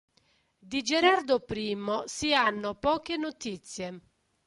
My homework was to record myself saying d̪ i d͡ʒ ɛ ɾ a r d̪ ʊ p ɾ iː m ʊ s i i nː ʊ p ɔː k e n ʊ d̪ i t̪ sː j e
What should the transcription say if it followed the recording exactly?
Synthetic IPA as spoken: d̪ i d͡ʒ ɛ ɾ a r d̪ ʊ p ɾ iː m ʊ s i a nː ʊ p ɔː k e n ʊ t̪ i t̪ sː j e